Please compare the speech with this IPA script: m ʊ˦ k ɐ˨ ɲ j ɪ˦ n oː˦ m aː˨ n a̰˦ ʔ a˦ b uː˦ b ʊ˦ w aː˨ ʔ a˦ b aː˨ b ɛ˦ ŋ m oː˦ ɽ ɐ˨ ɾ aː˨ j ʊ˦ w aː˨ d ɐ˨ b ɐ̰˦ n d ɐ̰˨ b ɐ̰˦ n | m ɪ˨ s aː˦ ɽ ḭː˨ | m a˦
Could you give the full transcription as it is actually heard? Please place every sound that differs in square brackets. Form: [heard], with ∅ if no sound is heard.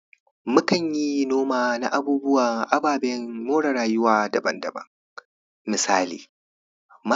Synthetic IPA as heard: m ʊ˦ k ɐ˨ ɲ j [i˦] n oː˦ m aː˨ n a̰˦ ʔ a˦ b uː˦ b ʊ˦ w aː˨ ʔ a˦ b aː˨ b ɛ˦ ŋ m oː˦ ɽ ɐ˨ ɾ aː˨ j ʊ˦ w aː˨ d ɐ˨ b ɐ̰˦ n d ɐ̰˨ b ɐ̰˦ [ŋ] | m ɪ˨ s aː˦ [l] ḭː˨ | m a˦